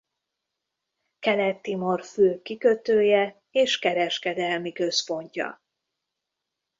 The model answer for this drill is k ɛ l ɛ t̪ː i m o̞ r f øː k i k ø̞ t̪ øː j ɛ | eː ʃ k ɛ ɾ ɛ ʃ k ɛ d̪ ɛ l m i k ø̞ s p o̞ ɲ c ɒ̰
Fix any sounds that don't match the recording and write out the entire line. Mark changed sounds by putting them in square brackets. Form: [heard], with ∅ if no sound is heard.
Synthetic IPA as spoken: k ɛ l ɛ t̪ː i m o̞ r f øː k i k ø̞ t̪ øː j ɛ | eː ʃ k ɛ ɾ ɛ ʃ k ɛ d̪ ɛ l m i k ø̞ s p o̞ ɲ c ɒ̰